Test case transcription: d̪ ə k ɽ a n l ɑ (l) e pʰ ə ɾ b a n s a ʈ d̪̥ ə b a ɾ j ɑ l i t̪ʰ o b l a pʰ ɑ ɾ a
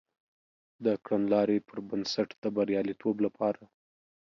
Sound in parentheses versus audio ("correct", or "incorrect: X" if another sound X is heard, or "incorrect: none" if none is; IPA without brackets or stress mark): incorrect: ɾ